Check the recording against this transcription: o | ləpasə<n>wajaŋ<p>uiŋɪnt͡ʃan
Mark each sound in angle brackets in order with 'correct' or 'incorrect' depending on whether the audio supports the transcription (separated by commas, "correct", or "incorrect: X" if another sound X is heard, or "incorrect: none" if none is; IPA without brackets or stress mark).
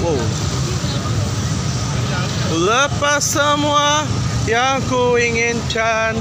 incorrect: m, incorrect: k